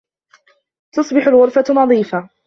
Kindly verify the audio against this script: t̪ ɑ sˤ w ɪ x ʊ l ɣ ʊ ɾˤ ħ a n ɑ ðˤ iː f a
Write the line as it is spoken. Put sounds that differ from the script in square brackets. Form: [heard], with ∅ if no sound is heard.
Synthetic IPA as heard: t̪ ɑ sˤ [b] ɪ [ħ] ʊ l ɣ ʊ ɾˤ [f] a n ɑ ðˤ iː f a